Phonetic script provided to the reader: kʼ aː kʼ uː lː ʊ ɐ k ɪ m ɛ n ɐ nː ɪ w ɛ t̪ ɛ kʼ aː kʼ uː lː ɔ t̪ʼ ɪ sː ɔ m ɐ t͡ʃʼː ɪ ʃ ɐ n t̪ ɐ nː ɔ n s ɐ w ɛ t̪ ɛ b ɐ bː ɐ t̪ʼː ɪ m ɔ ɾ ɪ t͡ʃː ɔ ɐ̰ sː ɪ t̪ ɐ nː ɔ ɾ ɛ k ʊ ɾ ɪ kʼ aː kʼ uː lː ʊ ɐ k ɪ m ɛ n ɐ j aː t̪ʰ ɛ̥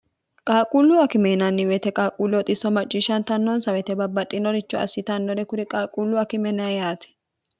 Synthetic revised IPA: kʼ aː kʼ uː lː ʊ ɐ k ɪ m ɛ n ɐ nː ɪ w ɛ t̪ ɛ kʼ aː kʼ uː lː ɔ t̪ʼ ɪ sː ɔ m ɐ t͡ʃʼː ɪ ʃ ɐ n t̪ ɐ nː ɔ n s ɐ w ɛ t̪ ɛ b ɐ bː ɐ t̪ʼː ɪ n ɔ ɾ ɪ t͡ʃː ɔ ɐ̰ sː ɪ t̪ ɐ nː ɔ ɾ ɛ k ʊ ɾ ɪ kʼ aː kʼ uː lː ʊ ɐ k ɪ m ɛ n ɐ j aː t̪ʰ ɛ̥

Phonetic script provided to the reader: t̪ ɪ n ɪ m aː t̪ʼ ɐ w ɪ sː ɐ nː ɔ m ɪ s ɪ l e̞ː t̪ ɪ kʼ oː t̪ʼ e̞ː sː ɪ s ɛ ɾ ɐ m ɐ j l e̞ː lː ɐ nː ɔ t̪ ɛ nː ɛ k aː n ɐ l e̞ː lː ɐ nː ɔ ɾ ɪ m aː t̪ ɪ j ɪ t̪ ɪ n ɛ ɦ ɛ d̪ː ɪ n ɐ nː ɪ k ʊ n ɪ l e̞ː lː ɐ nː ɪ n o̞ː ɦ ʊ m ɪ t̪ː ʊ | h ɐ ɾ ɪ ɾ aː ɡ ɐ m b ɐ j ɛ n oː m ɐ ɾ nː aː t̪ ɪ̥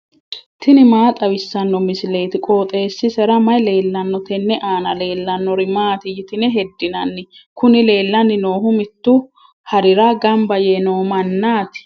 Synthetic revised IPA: t̪ ɪ n ɪ m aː t̪ʼ ɐ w ɪ sː ɐ nː ɔ m ɪ s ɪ l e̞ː t̪ ɪ kʼ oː t̪ʼ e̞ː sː ɪ s ɛ ɾ ɐ m ɐ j l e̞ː lː ɐ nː ɔ t̪ ɛ nː ɛ ʔ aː n ɐ l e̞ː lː ɐ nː ɔ ɾ ɪ m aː t̪ ɪ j ɪ t̪ ɪ n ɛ ɦ ɛ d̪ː ɪ n ɐ nː ɪ k ʊ n ɪ l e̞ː lː ɐ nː ɪ n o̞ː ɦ ʊ m ɪ t̪ː ʊ | h ɐ ɾ ɪ ɾ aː ɡ ɐ m b ɐ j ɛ n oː m ɐ nː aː t̪ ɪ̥

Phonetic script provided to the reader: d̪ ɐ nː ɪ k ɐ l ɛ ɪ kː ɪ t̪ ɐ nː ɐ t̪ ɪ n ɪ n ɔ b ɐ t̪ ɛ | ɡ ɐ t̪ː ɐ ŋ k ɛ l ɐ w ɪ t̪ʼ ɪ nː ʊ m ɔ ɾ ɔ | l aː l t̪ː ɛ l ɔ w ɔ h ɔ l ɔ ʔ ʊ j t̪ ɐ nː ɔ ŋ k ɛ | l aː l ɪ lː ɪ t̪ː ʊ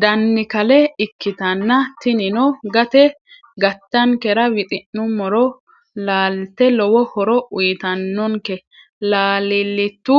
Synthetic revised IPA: d̪ ɐ nː ɪ k ɐ l ɛ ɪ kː ɪ t̪ ɐ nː ɐ t̪ ɪ n ɪ n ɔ ɡ ɐ t̪ ɛ | ɡ ɐ t̪ː ɐ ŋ k ɛ ɾ ɐ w ɪ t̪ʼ ɪ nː ʊ m ɔ ɾ ɔ | l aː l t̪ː ɛ l ɔ w ɔ h ɔ ɾ ɔ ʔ ʊ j t̪ ɐ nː ɔ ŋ k ɛ | l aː l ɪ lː ɪ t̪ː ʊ

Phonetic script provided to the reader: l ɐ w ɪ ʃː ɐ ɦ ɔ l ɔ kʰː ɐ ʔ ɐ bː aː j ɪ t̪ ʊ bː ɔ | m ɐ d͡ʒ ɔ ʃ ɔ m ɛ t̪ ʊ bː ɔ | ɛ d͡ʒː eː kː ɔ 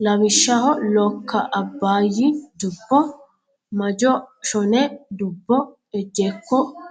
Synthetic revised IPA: l ɐ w ɪ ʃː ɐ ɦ ɔ l ɔ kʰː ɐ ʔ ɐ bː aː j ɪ d̪ ʊ bː ɔ | m ɐ d͡ʒ ɔ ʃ ɔ n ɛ d̪ ʊ bː ɔ | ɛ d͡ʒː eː kː ɔ

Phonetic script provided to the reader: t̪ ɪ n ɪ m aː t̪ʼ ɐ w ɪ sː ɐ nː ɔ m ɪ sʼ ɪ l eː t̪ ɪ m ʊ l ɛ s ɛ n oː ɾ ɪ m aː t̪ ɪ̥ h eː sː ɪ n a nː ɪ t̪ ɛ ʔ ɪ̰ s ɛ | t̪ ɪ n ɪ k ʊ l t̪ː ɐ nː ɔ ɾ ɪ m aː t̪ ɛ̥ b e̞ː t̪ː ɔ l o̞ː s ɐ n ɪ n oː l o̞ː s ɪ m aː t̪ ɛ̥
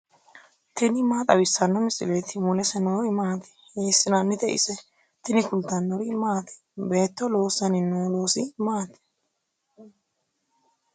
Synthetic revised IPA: t̪ ɪ n ɪ m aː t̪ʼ ɐ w ɪ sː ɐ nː ɔ m ɪ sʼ ɪ l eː t̪ ɪ m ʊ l ɛ s ɛ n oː ɾ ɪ m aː t̪ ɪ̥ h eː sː ɪ n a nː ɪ t̪ ɛ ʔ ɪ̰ s ɛ | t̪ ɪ n ɪ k ʊ l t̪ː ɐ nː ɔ ɾ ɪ m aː t̪ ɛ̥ b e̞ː t̪ː ɔ l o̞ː s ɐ n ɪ n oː l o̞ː s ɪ m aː t̪ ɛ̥

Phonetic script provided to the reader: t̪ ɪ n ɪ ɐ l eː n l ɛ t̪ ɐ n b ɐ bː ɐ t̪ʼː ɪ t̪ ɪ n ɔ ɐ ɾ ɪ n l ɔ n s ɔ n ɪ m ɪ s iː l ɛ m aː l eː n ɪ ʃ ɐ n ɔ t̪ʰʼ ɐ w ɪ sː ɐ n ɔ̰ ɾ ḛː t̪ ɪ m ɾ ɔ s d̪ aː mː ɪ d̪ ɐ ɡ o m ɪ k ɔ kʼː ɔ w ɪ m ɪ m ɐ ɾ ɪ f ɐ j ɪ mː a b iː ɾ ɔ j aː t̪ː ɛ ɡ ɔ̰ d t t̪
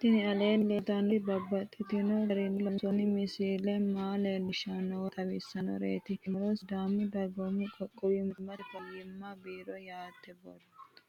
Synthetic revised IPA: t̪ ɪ n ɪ ɐ l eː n l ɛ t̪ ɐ n b ɐ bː ɐ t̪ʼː ɪ t̪ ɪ n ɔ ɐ ɾ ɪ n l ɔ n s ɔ n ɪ m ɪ s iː l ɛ m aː l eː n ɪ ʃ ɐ n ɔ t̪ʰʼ ɐ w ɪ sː ɐ n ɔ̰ ɾ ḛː t̪ ɪ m ɾ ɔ s d̪ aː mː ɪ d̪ ɐ ɡ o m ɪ kʼ ɔ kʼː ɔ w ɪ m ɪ m ɐ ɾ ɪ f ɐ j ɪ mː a b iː ɾ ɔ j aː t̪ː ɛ b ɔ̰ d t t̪

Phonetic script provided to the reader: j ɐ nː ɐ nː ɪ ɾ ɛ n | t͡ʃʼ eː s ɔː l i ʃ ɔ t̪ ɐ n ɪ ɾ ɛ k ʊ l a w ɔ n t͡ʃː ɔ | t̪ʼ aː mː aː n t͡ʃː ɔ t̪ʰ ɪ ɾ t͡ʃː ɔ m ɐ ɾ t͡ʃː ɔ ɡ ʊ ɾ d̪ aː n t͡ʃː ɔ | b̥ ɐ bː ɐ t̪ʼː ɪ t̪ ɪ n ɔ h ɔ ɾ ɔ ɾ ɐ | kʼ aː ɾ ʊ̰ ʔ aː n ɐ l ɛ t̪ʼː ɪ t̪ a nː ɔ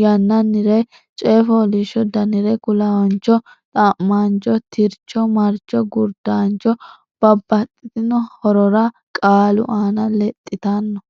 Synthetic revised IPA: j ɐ nː ɐ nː ɪ ɾ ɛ | t͡ʃʼ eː f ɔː l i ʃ ɔ d̪ ɐ n ɪ ɾ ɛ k ʊ l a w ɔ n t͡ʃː ɔ | t̪ʼ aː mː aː n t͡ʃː ɔ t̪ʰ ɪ ɾ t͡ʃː ɔ m ɐ ɾ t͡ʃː ɔ ɡ ʊ ɾ d̪ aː n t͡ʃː ɔ | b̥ ɐ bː ɐ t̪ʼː ɪ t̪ ɪ n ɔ h ɔ ɾ ɔ ɾ ɐ | kʼ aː l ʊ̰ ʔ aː n ɐ l ɛ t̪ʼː ɪ t̪ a nː ɔ

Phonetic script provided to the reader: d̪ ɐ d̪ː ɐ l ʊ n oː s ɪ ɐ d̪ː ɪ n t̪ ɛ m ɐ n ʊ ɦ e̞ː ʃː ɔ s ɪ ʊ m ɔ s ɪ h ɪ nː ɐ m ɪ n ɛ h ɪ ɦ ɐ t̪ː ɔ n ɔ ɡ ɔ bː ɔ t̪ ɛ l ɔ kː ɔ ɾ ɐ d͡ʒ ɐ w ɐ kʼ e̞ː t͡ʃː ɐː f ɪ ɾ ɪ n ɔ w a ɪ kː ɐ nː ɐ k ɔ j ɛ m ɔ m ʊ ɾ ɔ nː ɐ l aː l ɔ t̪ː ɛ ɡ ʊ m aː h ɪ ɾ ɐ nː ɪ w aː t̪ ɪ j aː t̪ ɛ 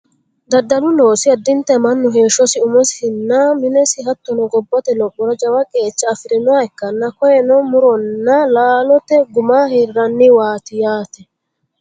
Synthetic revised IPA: d̪ ɐ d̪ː ɐ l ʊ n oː s ɪ ɐ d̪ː ɪ n t̪ ɛ m ɐ nː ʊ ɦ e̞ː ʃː ɔ s ɪ ʊ m ɔ s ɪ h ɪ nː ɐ m ɪ n ɛ s ɪ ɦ ɐ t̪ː ɔ n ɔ ɡ ɔ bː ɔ t̪ ɛ l ɔ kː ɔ ɾ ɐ d͡ʒ ɐ w ɐ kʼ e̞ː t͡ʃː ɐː f ɪ ɾ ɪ n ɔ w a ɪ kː ɐ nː ɐ k ɔ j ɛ n ɔ m ʊ ɾ ɔ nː ɐ l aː l ɔ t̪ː ɛ ɡ ʊ m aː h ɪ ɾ ɐ nː ɪ w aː t̪ ɪ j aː t̪ ɛ

